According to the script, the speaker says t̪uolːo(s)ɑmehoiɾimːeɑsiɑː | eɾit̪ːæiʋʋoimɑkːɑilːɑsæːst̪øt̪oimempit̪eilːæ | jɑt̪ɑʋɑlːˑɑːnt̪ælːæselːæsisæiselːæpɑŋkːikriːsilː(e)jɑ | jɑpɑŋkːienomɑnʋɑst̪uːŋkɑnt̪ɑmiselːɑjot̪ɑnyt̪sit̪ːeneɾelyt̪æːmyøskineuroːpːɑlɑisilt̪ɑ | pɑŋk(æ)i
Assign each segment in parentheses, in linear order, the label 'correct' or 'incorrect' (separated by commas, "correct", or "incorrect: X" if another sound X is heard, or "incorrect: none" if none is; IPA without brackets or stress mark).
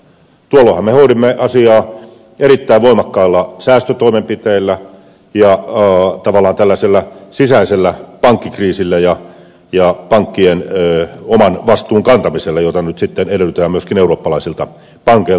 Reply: incorrect: h, incorrect: æ, incorrect: e